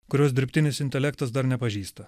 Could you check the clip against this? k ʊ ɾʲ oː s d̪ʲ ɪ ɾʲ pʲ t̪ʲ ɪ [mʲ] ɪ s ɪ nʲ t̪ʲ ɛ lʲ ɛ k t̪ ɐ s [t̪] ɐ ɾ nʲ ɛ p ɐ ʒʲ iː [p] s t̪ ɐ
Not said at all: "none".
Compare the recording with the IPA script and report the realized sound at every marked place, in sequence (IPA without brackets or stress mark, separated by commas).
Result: nʲ, d̪, none